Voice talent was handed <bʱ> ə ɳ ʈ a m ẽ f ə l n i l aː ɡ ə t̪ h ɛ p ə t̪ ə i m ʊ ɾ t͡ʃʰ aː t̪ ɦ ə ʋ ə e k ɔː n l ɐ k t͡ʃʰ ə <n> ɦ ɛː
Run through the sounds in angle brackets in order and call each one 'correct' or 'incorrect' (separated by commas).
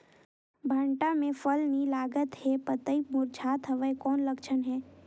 correct, correct